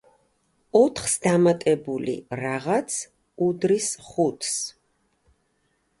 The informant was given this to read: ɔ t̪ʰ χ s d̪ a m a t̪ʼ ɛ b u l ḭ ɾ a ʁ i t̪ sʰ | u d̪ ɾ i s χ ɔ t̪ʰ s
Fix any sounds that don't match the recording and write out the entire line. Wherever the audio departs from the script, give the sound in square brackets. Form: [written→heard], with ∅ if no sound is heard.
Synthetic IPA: ɔ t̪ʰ χ s d̪ a m a t̪ʼ ɛ b u l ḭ ɾ a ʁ [i→a] t̪ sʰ | u d̪ ɾ i s χ [ɔ→u] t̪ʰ s